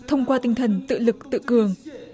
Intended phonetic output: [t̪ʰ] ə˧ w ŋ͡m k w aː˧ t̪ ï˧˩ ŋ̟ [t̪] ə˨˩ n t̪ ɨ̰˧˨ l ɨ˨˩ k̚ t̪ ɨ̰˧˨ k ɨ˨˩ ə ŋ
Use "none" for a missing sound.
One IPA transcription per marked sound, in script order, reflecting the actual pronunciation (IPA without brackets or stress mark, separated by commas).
t̪ʰ, t̪ʰ